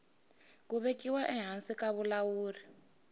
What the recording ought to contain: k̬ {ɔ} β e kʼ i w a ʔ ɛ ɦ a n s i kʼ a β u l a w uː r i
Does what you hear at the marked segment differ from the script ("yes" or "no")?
yes